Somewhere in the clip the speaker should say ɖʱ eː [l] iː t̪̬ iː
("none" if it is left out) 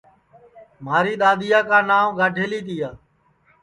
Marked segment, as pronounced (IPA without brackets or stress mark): l